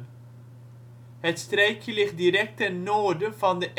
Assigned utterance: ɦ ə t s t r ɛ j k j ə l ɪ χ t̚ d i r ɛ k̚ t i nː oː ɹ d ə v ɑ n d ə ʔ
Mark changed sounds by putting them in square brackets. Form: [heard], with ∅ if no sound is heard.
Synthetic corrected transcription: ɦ ə t s t r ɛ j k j ə l ɪ χ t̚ d i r ɛ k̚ t [ɛ] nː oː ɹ d ə v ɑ n d ə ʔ